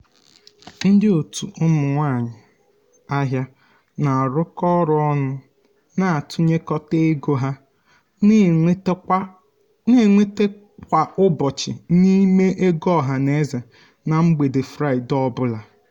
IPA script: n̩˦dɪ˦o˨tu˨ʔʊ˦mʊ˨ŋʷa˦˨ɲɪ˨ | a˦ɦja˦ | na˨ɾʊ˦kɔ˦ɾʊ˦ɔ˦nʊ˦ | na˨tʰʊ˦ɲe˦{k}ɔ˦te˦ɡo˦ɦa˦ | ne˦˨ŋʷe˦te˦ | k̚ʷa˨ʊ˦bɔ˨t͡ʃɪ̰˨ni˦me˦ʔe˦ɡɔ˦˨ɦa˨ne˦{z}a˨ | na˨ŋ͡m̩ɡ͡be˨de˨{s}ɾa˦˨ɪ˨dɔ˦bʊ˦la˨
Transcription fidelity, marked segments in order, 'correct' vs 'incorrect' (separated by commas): correct, correct, incorrect